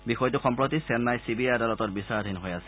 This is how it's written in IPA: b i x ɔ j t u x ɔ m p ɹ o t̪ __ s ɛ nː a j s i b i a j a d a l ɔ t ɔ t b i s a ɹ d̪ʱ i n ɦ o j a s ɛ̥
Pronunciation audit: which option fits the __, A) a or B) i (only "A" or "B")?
B